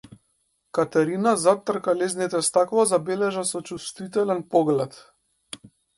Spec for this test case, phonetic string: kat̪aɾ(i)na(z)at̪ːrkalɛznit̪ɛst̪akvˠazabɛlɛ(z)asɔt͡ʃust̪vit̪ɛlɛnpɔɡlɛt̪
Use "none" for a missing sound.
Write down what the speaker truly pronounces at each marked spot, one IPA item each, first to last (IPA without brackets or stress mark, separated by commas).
i, z, ʒ